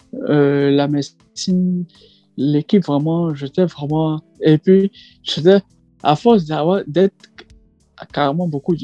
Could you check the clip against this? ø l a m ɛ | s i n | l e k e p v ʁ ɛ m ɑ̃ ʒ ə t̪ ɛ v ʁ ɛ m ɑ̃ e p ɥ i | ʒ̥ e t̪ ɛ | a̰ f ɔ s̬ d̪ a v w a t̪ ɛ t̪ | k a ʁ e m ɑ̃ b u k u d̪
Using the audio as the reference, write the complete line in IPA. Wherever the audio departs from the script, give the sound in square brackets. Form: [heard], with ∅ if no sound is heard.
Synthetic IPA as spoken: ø l a m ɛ | s i n | l e k [i] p v ʁ ɛ m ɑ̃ ʒ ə t̪ ɛ v ʁ ɛ m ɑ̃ e p ɥ i | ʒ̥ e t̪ ɛ | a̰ f ɔ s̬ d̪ a v w a [d̪] ɛ t̪ | k a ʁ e m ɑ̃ b [o] k u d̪